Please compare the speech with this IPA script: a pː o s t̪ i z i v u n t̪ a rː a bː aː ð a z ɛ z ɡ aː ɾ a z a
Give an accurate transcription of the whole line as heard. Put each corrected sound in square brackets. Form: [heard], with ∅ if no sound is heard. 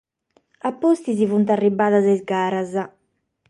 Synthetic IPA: a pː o s t̪ i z i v u n t̪ a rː [i] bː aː ð a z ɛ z ɡ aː ɾ a z a

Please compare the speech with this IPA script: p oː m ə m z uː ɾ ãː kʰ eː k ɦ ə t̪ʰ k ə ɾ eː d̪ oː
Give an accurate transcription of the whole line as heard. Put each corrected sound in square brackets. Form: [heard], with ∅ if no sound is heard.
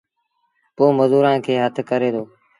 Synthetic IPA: p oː m ə [∅] z uː ɾ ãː kʰ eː [∅] ɦ ə t̪ʰ k ə ɾ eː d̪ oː

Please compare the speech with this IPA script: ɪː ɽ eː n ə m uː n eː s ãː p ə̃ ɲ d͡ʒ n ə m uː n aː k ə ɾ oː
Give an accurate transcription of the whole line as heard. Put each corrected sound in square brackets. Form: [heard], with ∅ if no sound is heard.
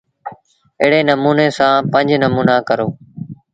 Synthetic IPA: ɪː ɽ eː n ə m uː n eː s ãː p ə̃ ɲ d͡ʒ n ə m uː n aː k ə ɾ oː

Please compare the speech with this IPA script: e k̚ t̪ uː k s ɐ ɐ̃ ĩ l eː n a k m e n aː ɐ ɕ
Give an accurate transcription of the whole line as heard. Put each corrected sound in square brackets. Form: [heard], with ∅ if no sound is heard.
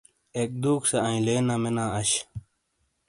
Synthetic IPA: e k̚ [d̪] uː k s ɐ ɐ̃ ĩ l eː n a [∅] m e n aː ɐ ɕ

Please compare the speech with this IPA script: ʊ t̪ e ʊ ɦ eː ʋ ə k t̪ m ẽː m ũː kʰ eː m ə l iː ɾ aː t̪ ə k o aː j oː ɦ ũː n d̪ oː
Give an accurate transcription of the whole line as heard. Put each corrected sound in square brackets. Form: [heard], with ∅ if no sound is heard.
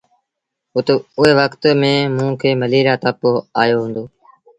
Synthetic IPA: ʊ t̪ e ʊ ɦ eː ʋ ə k t̪ m ẽː m ũː kʰ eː m ə l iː ɾ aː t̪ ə [p] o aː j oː ɦ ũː n d̪ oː

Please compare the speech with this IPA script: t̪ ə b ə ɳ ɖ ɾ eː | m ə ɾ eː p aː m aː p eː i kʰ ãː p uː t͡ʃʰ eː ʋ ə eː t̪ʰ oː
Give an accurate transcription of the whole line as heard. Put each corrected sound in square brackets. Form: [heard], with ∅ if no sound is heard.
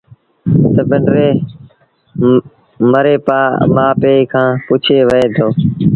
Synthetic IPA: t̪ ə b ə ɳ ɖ ɾ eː | m ə ɾ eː p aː m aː p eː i kʰ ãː p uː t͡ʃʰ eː ʋ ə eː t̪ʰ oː

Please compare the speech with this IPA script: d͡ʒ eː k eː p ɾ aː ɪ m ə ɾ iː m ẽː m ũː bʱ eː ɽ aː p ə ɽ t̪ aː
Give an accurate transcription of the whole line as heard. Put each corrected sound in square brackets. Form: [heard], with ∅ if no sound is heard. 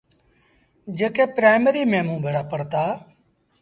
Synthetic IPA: d͡ʒ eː k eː p ɾ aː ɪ m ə ɾ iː m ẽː m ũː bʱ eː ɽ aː p ə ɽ t̪ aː

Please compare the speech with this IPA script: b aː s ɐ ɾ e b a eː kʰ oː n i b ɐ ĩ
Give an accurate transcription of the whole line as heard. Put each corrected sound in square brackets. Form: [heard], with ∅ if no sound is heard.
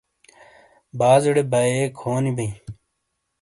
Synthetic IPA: b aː [z] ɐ [ɽ] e b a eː kʰ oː n i b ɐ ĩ

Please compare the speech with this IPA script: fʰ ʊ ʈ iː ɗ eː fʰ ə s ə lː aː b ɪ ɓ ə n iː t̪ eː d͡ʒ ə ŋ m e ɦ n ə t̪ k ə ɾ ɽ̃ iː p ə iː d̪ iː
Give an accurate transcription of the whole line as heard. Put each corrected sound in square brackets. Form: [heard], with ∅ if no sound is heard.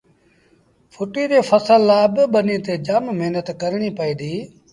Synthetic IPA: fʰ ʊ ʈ iː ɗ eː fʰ ə s ə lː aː b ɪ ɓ ə n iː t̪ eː d͡ʒ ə [m] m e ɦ n ə t̪ k ə ɾ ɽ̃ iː p ə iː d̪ iː

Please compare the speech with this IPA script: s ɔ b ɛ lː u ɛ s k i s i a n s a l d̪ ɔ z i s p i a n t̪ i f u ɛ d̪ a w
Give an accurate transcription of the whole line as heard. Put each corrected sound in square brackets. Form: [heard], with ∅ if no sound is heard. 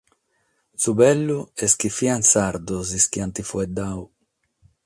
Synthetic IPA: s [u] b ɛ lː u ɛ s k i [f] i a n s a [ɾ] d̪ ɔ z i s [k] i a n t̪ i f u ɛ d̪ a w

